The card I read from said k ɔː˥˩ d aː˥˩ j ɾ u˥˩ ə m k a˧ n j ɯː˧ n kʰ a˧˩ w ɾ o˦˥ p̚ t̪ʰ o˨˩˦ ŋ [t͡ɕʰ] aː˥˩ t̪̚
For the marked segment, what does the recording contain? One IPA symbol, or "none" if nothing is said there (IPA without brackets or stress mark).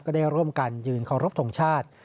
t͡ɕʰ